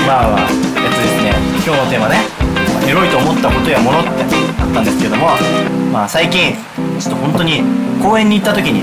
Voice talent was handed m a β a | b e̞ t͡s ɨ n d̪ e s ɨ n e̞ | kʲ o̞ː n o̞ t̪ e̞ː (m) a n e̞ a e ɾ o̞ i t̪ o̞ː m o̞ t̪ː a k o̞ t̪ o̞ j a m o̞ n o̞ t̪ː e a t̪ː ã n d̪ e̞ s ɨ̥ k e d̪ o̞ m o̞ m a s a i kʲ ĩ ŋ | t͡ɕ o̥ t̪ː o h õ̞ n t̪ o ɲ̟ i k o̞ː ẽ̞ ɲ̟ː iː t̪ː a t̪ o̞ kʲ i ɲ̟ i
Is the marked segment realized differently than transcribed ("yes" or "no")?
no